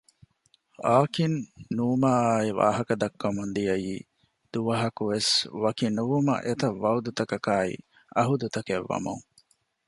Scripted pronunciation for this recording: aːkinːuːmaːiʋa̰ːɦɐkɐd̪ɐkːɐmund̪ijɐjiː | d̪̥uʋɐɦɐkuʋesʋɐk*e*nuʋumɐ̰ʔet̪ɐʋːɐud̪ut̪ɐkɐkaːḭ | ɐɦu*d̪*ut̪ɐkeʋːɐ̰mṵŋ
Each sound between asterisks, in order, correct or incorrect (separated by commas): incorrect, correct